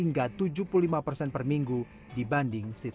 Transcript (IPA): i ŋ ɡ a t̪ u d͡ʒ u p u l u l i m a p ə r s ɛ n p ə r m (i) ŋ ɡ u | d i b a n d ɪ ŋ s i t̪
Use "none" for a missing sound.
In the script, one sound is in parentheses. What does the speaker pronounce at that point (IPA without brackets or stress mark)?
i